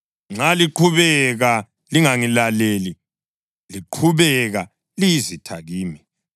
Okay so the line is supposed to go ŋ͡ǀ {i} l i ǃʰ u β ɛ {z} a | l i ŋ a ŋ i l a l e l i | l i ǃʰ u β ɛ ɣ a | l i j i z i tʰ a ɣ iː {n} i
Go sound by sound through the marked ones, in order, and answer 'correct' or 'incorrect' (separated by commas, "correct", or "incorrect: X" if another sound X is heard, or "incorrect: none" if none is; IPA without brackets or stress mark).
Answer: incorrect: a, incorrect: ɣ, incorrect: m